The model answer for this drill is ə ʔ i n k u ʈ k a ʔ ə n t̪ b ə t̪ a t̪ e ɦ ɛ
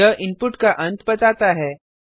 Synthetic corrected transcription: ə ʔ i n p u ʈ k a ʔ ə n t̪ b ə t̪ a t̪ a ɦ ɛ